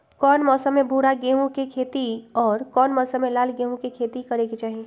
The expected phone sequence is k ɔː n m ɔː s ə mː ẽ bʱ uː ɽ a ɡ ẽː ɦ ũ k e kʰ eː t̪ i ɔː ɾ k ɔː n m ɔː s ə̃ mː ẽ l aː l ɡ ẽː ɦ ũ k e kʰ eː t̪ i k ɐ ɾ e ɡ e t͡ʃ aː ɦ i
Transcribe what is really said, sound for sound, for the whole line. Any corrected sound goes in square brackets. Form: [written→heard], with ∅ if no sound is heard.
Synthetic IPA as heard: k ɔː n m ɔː s ə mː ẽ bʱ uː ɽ a ɡ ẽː ɦ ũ k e kʰ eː t̪ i ɔː ɾ k ɔː n m ɔː s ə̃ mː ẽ l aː l ɡ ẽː ɦ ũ k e kʰ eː t̪ i k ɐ ɾ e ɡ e t͡ʃ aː ɦ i